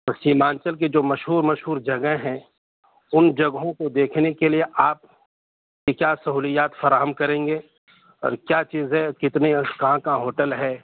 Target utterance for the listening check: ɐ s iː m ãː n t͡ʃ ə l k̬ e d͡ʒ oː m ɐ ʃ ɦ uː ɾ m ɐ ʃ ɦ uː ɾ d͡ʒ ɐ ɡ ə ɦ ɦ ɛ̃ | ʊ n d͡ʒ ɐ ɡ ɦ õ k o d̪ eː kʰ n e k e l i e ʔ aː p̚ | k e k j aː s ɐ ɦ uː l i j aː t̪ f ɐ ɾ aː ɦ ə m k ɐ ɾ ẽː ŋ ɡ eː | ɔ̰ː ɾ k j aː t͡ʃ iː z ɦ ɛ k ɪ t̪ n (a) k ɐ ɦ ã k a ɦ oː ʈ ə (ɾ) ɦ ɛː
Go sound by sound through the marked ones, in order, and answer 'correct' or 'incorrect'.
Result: incorrect: e, incorrect: l

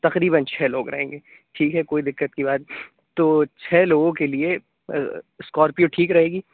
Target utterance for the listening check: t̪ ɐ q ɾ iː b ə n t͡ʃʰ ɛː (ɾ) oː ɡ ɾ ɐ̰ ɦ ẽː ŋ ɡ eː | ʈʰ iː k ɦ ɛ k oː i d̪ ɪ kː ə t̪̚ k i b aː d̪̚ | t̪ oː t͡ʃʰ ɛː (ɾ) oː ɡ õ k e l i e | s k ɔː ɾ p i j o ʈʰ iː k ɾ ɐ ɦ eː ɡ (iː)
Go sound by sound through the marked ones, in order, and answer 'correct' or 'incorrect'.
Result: incorrect: l, incorrect: l, correct

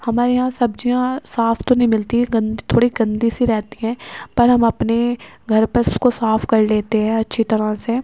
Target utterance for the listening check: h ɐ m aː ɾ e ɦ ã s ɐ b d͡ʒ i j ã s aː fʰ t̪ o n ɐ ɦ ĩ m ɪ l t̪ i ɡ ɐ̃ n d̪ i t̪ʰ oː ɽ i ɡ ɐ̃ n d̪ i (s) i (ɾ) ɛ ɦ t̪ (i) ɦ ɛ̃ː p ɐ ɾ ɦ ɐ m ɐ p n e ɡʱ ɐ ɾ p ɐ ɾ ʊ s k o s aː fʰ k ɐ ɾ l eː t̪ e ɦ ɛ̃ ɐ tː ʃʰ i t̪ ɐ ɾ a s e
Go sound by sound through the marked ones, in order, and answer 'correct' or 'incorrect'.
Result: correct, correct, correct

